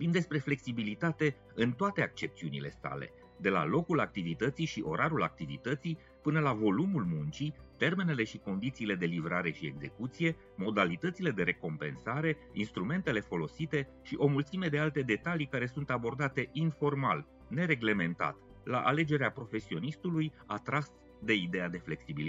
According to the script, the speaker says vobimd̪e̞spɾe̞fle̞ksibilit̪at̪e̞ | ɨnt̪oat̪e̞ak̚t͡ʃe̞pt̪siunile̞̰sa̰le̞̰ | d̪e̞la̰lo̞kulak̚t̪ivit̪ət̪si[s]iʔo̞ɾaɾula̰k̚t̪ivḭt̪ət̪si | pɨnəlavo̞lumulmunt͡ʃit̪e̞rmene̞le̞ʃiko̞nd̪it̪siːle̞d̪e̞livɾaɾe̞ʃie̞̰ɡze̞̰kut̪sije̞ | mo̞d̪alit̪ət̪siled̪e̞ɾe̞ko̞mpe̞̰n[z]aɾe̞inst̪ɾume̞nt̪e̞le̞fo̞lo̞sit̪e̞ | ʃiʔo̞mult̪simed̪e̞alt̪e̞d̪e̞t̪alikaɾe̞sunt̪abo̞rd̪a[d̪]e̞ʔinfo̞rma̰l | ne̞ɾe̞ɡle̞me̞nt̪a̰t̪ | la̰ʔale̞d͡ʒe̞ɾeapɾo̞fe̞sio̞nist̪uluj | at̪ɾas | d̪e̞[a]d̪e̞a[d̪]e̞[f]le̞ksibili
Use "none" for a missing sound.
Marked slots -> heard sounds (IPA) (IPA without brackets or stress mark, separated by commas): ʃ, s, t̪, i, d̪, f